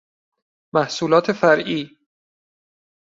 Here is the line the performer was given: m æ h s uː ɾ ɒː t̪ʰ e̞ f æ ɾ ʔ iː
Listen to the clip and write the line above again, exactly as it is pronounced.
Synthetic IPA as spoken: m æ h s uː l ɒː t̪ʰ e̞ f æ ɾ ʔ iː